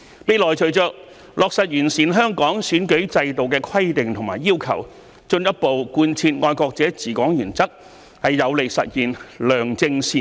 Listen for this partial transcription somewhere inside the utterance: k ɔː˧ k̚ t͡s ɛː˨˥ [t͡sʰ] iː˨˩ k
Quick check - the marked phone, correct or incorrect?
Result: incorrect: t͡s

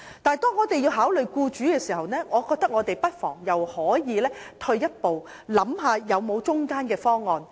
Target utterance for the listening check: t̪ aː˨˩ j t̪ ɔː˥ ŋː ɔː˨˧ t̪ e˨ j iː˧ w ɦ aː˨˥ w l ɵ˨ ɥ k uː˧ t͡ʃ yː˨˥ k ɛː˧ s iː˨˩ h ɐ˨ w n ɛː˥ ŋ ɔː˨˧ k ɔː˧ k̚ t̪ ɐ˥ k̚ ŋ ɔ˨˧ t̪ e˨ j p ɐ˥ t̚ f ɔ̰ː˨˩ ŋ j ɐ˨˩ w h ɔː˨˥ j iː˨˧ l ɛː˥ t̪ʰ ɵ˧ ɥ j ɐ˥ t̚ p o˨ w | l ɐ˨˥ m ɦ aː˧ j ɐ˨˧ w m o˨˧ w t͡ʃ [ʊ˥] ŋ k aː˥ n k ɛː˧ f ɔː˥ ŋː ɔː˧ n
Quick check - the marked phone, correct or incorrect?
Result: correct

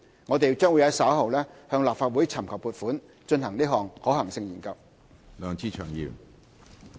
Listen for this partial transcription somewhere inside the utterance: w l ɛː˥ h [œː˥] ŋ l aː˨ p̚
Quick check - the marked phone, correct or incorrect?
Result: incorrect: œː˧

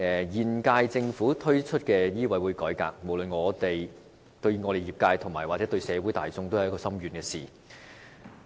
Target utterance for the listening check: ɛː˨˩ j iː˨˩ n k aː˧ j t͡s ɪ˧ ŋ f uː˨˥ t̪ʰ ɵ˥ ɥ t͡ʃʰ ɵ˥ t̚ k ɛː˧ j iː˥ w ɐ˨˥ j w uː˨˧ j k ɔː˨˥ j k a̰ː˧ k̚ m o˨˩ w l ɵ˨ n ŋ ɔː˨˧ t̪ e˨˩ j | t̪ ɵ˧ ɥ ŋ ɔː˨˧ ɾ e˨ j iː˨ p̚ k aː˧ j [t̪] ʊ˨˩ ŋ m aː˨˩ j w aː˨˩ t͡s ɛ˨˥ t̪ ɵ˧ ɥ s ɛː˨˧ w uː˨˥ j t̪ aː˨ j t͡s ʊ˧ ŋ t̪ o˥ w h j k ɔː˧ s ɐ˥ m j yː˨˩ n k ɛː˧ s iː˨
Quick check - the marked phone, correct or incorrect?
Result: incorrect: t̪ʰ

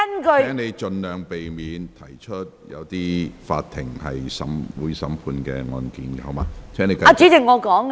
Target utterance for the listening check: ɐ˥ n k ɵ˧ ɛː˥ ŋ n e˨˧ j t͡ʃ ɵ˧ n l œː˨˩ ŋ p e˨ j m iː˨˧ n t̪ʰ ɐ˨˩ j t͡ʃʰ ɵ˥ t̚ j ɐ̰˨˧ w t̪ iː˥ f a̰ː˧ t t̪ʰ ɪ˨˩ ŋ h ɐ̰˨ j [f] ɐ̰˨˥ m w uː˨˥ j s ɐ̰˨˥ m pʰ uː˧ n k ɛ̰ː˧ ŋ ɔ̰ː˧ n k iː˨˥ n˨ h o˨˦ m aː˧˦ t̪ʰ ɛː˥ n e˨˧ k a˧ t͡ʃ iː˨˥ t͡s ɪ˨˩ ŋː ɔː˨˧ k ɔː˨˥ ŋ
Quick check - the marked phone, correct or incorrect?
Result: incorrect: s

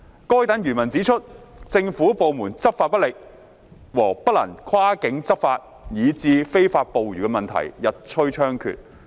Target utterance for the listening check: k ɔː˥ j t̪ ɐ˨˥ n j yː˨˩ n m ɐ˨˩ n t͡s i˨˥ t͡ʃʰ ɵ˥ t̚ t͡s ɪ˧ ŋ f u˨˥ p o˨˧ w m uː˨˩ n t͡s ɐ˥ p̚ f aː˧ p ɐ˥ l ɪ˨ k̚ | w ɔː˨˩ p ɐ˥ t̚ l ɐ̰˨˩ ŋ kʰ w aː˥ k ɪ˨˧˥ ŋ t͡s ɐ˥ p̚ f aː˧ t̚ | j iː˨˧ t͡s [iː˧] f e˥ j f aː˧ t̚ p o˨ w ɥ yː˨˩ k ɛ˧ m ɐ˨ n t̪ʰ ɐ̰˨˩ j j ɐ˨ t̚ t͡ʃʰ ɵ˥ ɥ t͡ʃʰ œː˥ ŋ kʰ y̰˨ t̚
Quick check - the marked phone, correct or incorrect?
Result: correct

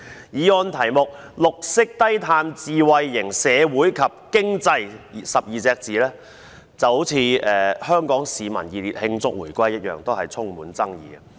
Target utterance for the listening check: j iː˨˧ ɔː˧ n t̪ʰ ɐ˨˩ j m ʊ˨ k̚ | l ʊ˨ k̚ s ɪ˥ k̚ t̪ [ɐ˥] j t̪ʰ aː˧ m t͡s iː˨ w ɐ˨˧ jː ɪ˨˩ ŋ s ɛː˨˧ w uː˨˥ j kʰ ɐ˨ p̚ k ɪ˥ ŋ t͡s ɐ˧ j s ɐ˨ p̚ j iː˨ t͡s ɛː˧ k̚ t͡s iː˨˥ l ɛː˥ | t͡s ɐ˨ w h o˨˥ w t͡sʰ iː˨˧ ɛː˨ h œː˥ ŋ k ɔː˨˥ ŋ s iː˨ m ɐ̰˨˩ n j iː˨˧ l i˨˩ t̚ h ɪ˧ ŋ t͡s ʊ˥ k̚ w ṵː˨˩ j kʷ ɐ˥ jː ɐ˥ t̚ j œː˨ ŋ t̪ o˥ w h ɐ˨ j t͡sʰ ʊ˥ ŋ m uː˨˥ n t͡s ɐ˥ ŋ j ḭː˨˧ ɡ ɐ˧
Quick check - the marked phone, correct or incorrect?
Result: correct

